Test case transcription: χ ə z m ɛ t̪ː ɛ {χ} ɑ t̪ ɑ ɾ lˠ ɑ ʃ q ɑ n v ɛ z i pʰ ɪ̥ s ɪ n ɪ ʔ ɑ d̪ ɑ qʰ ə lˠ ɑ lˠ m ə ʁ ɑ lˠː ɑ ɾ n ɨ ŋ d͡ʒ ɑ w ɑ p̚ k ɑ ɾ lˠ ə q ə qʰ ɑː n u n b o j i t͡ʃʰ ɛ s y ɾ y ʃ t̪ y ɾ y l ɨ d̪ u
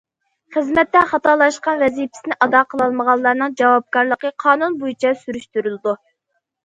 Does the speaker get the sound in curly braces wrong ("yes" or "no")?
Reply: no